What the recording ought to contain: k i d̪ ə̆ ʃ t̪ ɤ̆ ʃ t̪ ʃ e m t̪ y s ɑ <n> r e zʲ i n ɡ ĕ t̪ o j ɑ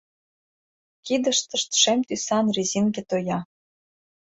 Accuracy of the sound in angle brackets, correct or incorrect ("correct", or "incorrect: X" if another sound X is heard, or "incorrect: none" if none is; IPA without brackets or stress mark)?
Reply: correct